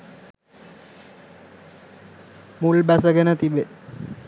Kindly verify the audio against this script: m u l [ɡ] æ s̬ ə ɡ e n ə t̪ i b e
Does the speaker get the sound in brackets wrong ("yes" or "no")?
yes